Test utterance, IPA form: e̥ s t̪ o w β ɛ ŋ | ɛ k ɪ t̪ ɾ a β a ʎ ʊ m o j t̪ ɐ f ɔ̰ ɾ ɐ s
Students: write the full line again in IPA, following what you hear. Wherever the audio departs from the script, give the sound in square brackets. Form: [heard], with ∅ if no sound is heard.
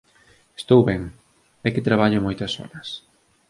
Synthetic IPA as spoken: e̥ s t̪ o w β ɛ ŋ | ɛ k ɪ t̪ ɾ a β a ʎ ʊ m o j t̪ ɐ [s] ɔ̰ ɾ ɐ s